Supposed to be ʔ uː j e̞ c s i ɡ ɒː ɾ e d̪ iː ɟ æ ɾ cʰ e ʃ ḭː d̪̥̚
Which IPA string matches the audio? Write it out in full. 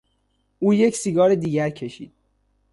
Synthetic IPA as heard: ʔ uː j e̞ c s i ɡ ɒː ɾ e d̪ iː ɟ æ ɾ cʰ e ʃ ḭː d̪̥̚